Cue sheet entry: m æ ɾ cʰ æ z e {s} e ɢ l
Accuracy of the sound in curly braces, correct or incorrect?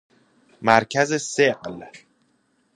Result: correct